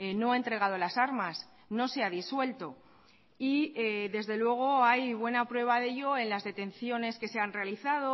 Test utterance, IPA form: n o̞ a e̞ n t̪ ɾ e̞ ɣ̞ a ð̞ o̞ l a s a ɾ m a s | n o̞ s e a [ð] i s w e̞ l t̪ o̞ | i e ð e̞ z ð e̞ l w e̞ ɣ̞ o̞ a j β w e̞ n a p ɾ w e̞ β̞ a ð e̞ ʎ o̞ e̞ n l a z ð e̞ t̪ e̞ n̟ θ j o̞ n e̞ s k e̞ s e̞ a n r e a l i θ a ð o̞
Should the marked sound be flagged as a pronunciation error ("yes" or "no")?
no